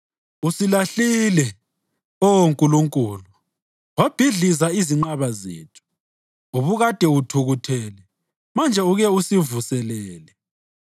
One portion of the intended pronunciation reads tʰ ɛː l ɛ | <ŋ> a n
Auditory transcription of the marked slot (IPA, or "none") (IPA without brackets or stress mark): m